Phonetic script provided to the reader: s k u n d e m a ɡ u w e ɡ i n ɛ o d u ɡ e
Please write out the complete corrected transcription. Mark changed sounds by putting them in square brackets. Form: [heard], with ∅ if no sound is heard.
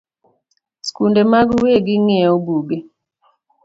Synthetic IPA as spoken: s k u n d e m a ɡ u w e ɡ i [ŋ] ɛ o [b] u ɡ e